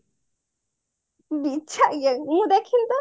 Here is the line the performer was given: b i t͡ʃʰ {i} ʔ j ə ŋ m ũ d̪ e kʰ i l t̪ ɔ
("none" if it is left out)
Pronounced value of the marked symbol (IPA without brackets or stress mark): a